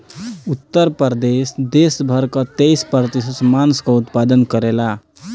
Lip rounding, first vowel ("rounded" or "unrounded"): rounded